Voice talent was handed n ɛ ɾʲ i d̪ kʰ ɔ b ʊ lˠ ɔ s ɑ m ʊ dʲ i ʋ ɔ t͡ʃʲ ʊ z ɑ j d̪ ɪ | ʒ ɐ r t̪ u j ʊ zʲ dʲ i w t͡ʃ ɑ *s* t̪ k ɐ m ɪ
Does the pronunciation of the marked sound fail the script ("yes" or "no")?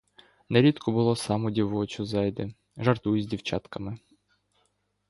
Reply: yes